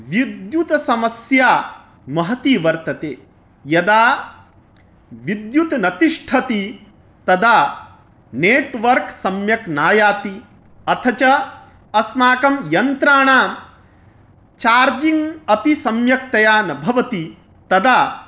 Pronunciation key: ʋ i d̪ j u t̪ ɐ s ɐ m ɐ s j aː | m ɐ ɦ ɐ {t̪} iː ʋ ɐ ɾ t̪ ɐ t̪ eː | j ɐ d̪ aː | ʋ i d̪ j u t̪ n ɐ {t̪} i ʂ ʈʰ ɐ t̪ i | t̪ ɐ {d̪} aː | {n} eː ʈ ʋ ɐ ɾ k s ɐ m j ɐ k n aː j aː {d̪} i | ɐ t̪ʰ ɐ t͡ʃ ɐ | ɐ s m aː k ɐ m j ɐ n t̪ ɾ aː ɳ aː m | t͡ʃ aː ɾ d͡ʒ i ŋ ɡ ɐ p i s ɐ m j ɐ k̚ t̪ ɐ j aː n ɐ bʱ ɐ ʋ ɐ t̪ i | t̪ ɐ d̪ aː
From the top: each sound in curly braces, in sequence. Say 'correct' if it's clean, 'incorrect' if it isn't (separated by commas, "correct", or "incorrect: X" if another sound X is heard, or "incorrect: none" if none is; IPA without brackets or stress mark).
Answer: correct, correct, correct, correct, incorrect: t̪